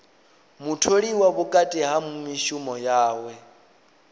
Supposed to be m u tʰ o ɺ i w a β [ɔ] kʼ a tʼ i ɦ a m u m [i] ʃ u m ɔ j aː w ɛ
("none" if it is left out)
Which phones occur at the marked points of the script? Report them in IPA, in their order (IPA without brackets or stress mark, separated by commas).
u, i